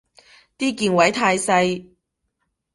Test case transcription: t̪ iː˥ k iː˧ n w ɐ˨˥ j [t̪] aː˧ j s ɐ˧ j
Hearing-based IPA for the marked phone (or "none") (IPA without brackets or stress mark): t̪ʰ